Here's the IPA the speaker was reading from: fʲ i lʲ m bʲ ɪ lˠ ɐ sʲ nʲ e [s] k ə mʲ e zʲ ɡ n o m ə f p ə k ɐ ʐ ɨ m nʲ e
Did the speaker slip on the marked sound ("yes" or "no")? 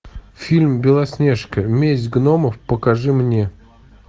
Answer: yes